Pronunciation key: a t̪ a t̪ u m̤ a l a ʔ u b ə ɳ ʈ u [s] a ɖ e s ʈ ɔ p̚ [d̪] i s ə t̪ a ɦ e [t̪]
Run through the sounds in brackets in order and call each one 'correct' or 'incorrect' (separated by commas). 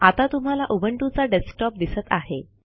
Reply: incorrect, correct, incorrect